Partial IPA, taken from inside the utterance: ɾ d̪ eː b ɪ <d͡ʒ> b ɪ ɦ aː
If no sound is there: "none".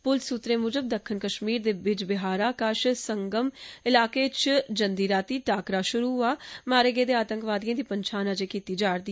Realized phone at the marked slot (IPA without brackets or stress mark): d͡ʒ